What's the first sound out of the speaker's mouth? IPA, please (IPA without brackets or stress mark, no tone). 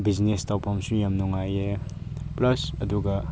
b